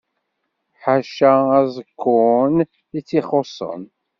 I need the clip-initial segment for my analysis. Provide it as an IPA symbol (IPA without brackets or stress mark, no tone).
ħ